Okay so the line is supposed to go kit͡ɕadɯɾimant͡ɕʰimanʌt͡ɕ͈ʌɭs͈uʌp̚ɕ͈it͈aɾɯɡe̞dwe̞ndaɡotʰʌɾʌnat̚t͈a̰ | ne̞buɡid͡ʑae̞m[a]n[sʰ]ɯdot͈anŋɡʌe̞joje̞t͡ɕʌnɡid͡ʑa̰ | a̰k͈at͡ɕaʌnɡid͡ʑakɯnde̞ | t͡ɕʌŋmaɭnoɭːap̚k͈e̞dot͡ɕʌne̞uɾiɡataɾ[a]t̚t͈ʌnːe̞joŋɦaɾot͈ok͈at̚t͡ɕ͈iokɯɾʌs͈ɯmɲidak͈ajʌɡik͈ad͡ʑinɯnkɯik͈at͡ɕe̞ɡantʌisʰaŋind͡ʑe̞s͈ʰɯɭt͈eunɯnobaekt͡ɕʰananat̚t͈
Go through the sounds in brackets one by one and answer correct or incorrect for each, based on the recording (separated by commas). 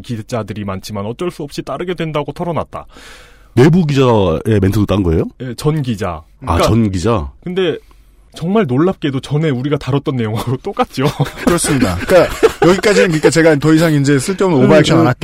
incorrect, incorrect, incorrect